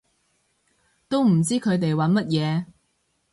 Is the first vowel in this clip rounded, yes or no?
yes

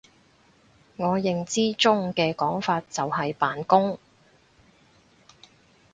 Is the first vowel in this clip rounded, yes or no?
yes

